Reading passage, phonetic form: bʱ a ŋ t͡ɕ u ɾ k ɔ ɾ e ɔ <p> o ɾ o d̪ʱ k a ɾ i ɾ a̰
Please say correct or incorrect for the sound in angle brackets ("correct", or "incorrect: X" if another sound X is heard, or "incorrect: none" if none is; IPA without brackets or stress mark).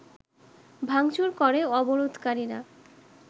incorrect: b